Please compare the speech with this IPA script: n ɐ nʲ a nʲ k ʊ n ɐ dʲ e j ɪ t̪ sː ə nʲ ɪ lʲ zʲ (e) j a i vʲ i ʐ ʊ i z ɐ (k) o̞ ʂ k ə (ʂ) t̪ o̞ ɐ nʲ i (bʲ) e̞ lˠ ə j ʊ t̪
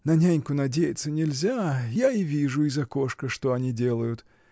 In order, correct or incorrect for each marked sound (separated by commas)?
incorrect, correct, correct, incorrect